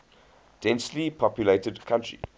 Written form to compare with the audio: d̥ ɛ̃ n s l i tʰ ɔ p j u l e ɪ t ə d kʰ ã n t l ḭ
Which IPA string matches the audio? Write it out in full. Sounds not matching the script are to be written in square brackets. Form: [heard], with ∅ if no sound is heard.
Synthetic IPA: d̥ ɛ̃ n s l i [pʰ] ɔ p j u l e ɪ t ə d kʰ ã n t [ɹ] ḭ

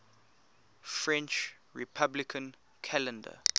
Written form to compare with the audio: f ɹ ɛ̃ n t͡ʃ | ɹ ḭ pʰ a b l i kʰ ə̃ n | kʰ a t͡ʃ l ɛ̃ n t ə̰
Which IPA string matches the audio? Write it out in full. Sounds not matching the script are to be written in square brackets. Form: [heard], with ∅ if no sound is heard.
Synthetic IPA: f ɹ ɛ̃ n t͡ʃ | ɹ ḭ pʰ a b l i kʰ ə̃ n | kʰ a [∅] l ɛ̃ n [d] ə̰

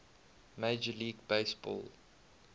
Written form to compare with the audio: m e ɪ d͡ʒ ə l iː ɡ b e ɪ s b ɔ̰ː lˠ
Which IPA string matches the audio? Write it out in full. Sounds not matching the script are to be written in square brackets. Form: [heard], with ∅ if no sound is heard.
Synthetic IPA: m e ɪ d͡ʒ ə l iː ɡ b e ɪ s b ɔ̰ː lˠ

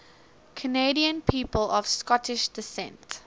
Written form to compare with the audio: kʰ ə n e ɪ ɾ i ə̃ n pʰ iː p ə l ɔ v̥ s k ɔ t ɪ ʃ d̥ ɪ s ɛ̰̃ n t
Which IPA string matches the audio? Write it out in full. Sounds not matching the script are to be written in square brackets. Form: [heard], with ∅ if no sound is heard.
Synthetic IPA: kʰ ə n e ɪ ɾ i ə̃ n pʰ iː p ə l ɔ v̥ s k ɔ t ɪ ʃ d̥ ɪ s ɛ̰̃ n t

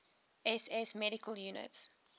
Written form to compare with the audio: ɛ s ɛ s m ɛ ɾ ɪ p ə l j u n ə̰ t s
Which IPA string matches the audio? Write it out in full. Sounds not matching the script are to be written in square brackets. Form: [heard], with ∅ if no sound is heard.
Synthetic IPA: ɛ s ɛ s m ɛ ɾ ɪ [k] ə l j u n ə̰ t s

